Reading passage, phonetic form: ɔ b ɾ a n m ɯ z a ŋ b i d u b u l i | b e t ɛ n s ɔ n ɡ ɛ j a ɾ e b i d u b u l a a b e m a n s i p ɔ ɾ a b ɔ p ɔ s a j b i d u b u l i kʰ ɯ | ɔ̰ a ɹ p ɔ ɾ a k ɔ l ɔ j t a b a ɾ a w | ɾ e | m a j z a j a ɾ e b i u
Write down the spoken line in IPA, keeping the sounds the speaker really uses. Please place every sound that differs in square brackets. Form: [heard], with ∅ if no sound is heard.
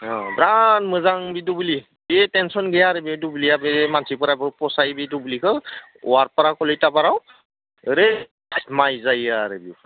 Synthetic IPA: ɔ b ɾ a n m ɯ z a ŋ b i d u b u l i | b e t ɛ n s ɔ n ɡ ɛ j a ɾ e b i d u b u l [i] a b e m a n s i p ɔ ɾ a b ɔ p ɔ s a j b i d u b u l i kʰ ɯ | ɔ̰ a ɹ p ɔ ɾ a k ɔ l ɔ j t a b a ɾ a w | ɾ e | m a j z a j a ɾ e b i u